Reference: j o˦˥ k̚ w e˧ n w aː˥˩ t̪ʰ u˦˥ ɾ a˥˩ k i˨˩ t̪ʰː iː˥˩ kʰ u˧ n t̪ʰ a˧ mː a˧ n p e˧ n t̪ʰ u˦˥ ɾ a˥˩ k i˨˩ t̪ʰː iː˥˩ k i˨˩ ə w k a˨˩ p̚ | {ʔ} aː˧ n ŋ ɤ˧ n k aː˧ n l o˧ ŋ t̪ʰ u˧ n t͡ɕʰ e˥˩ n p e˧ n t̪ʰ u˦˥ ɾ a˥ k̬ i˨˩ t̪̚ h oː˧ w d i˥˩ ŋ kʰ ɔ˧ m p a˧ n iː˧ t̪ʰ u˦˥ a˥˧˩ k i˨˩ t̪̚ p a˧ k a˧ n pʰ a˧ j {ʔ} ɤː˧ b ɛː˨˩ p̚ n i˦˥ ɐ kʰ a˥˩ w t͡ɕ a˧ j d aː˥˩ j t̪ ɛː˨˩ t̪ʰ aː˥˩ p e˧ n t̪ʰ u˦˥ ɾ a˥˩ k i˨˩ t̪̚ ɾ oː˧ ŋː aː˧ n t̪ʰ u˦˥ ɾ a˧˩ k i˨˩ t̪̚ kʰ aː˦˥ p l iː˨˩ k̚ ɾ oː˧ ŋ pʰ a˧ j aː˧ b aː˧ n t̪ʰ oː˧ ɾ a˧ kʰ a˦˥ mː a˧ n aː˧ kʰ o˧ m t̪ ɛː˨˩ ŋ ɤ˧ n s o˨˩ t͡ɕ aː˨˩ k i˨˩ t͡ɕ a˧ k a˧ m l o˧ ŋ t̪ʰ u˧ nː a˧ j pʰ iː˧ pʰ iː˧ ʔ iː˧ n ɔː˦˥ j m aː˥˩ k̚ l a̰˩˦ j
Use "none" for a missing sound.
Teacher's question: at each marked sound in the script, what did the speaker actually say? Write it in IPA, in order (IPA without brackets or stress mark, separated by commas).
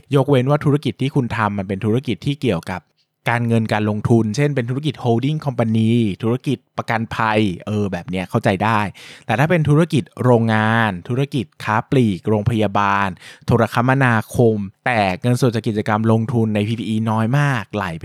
k, ʔ